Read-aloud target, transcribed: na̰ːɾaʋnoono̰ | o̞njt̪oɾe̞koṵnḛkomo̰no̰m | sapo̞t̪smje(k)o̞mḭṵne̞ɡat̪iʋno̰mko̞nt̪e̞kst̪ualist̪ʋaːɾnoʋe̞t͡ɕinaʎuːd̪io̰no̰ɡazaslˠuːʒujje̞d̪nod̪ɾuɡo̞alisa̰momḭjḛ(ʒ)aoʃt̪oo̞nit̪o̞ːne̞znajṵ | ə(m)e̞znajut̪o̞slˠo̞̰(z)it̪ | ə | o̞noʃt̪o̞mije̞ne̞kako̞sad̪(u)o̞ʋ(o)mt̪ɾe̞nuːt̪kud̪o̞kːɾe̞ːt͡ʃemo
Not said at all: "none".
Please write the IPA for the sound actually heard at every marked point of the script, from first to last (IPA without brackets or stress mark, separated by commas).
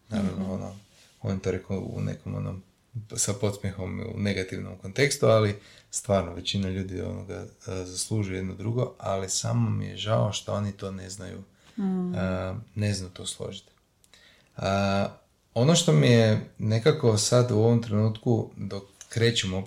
x, ʒ, n, ʒ, u, o